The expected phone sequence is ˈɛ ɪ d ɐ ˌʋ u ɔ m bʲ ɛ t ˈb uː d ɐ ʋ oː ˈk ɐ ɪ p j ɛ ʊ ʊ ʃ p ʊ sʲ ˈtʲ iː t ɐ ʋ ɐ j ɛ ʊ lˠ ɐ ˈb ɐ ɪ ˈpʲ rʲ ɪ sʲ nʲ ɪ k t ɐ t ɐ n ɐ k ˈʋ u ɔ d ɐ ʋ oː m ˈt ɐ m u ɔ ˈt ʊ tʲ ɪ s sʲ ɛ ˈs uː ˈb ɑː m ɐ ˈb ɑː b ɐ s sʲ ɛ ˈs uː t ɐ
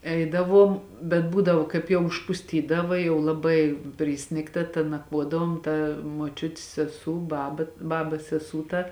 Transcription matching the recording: ˈɛ ɪ d ɐ ˌʋ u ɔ m bʲ ɛ t ˈb uː d ɐ ʋ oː ˈk ɐ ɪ p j ɛ ʊ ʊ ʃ p ʊ sʲ ˈtʲ iː d ɐ ʋ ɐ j ɛ ʊ lˠ ɐ ˈb ɐ ɪ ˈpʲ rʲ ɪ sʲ nʲ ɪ k t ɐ t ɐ n ɐ k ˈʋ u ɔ d ɐ ʋ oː m ˈt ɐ m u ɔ ˈt͡ʃʲ ʊ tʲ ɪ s sʲ ɛ ˈs uː ˈb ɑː b ɐ ˈb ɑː b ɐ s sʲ ɛ ˈs uː t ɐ